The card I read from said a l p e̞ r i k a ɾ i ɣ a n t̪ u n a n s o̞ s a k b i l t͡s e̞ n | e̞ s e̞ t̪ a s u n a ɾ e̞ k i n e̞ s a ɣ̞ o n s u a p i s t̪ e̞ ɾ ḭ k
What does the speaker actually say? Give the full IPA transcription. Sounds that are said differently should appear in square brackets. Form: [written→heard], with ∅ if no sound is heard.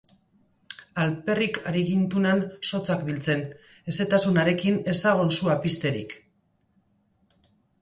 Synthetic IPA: a l p e̞ r i k a ɾ i ɣ [a→i] n t̪ u n a n s o̞ [s→t͡s] a k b i l t͡s e̞ n | e̞ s e̞ t̪ a s u n a ɾ e̞ k i n e̞ s a ɣ̞ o n s u a p i s t̪ e̞ ɾ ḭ k

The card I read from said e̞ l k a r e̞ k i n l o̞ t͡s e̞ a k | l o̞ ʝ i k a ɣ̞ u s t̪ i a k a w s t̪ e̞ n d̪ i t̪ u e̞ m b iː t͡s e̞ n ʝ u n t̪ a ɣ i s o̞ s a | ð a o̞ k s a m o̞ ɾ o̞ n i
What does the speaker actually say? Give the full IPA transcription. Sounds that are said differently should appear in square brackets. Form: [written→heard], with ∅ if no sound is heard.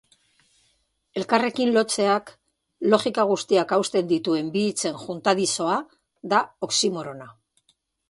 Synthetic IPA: e̞ l k a r e̞ k i n l o̞ t͡s e̞ a k | l o̞ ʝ i k a ɣ̞ u s t̪ i a k a w s t̪ e̞ n d̪ i t̪ u e̞ m b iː t͡s e̞ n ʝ u n t̪ a [ɣ→ð] i s o̞ [s→∅] a | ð a o̞ k s [a→i] m o̞ ɾ o̞ n [i→a]

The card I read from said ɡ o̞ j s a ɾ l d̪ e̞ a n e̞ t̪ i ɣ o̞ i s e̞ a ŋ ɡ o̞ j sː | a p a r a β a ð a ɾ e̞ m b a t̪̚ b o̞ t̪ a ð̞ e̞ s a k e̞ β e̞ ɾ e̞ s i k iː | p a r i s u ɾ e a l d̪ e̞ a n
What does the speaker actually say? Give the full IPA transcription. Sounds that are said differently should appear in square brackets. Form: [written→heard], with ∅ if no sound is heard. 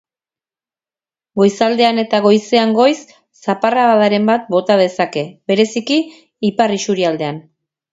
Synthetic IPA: ɡ o̞ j s a [ɾ→∅] l d̪ e̞ a n e̞ t̪ [i→a] ɣ o̞ [i→j] s e̞ a ŋ ɡ o̞ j sː | a p a r a β a ð a ɾ e̞ m b a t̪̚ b o̞ t̪ a ð̞ e̞ s a k e̞ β e̞ ɾ e̞ s i k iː | p a r i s u ɾ [e→i] a l d̪ e̞ a n

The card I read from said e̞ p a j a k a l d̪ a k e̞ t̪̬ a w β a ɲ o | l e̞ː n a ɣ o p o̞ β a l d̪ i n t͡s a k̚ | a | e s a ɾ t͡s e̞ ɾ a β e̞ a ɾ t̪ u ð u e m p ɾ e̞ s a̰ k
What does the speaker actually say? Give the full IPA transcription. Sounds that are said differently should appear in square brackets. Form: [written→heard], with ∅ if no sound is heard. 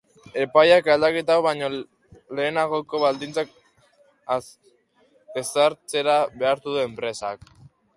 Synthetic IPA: e̞ p a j a k a l d̪ a k e̞ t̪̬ a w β a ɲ o | l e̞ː n a ɣ o [p→k] o̞ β a l d̪ i n t͡s a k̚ | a | e s a ɾ t͡s e̞ ɾ a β e̞ a ɾ t̪ u ð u e m p ɾ e̞ s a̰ k

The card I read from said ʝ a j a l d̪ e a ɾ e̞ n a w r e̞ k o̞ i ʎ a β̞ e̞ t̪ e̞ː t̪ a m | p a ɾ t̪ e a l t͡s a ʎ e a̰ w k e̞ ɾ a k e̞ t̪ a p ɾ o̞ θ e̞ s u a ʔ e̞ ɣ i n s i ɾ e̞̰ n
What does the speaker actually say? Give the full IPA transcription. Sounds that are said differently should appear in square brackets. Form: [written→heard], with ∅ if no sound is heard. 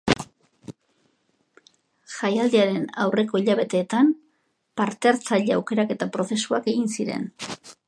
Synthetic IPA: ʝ a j a l d̪ e a ɾ e̞ n a w r e̞ k o̞ i ʎ a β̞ e̞ t̪ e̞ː t̪ a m | p a ɾ t̪ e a [l→ɾ] t͡s a ʎ e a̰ w k e̞ ɾ a k e̞ t̪ a p ɾ o̞ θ e̞ s u a [ʔ→k] e̞ ɣ i n s i ɾ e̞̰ n

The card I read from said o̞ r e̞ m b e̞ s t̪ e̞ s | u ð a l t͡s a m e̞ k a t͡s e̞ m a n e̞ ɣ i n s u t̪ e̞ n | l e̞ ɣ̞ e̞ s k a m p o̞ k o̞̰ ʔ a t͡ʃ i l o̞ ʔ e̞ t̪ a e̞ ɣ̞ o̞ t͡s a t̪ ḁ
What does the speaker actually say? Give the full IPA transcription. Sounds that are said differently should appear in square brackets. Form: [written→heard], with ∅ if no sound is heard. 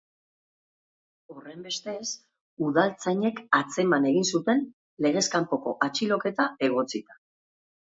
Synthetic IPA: o̞ r e̞ m b e̞ s t̪ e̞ s | u ð a l t͡s a [m→ɲ] e̞ k a t͡s e̞ m a n e̞ ɣ i n s u t̪ e̞ n | l e̞ ɣ̞ e̞ s k a m p o̞ k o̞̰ ʔ a t͡ʃ i l o̞ [ʔ→k] e̞ t̪ a e̞ ɣ̞ o̞ t͡s [a→i] t̪ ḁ

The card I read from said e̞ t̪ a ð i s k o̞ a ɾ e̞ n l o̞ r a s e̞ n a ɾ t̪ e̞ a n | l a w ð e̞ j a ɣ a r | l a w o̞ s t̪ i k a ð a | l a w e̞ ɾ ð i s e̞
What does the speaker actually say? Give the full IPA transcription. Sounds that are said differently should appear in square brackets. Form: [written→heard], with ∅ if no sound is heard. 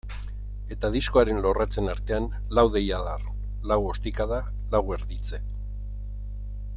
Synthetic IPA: e̞ t̪ a ð i s k o̞ a ɾ e̞ n l o̞ r a [s→t͡s] e̞ n a ɾ t̪ e̞ a n | l a w ð e̞ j a [ɣ→ð] a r | l a w o̞ s t̪ i k a ð a | l a w e̞ ɾ ð i [s→t͡s] e̞

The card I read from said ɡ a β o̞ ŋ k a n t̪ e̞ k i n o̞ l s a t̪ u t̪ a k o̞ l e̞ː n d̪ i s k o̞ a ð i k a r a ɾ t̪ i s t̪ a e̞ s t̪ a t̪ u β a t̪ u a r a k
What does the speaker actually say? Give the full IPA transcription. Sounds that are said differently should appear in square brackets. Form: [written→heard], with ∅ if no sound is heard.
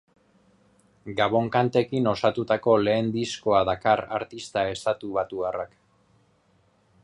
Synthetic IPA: ɡ a β o̞ ŋ k a n t̪ e̞ k i n o̞ [l→∅] s a t̪ u t̪ a k o̞ l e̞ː n d̪ i s k o̞ a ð [i→a] k a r a ɾ t̪ i s t̪ a e̞ s t̪ a t̪ u β a t̪ u a r a k

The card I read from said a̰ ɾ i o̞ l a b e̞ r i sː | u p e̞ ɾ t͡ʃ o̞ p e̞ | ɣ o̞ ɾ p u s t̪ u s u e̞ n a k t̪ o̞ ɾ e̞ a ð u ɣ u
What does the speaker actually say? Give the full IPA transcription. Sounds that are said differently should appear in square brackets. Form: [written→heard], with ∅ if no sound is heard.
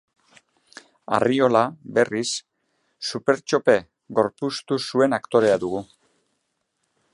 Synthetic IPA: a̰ [ɾ→r] i o̞ l a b e̞ r i sː | u p e̞ ɾ t͡ʃ o̞ p e̞ | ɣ o̞ ɾ p u s t̪ u s u e̞ n a k t̪ o̞ ɾ e̞ a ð u ɣ u

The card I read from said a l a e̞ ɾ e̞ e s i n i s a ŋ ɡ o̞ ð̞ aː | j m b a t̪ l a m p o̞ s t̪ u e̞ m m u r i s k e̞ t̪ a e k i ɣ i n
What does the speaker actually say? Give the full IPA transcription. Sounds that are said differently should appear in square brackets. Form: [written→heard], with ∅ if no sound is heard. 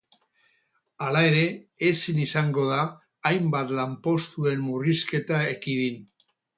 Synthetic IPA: a l a e̞ ɾ e̞ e s i n i s a ŋ ɡ o̞ ð̞ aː | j m b a t̪ l a m p o̞ s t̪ u e̞ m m u r i s k e̞ t̪ a e k i [ɣ→ð] i n

